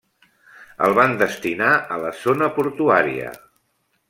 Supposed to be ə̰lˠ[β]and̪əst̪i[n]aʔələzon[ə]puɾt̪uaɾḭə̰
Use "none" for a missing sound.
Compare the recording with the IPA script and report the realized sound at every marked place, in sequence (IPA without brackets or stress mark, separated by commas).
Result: β, n, ə